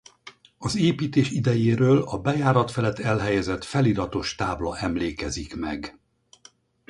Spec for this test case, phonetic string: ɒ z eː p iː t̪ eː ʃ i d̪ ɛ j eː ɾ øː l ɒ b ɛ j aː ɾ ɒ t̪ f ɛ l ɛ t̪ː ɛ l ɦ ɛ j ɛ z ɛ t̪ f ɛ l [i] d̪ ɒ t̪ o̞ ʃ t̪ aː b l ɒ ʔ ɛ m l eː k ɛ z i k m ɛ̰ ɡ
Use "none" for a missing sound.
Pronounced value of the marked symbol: i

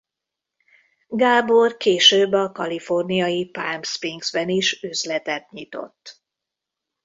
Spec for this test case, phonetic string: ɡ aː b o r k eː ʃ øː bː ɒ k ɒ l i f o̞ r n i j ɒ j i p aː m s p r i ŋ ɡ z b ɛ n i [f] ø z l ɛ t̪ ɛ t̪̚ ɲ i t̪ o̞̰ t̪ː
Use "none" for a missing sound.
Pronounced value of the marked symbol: ʃ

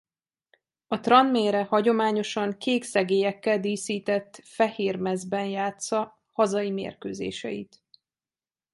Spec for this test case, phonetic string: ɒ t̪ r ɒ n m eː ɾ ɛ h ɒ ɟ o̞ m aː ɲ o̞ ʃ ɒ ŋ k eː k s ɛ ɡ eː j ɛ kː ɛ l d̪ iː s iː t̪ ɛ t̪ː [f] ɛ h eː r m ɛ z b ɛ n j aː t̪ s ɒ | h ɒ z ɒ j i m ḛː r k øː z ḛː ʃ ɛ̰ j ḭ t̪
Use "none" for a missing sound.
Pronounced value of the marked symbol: f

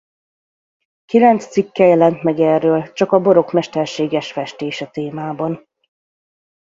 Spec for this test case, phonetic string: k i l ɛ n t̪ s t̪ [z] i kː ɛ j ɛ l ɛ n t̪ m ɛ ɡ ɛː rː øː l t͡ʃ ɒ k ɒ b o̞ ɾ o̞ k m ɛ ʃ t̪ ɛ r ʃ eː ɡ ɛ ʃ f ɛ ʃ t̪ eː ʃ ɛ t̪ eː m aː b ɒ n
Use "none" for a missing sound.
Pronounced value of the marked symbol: s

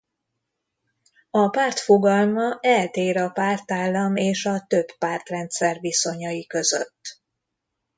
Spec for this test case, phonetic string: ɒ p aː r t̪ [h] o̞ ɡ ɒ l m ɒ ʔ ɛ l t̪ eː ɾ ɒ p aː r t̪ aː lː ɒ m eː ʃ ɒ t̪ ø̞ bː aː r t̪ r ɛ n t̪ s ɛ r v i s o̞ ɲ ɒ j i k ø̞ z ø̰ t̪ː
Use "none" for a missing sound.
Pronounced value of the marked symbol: f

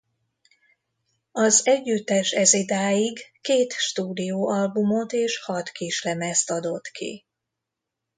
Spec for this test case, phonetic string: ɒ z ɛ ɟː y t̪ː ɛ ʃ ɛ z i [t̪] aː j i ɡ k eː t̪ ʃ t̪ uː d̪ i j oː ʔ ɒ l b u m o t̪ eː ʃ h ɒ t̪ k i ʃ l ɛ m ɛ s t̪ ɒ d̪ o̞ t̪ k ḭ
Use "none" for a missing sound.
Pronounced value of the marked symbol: d̪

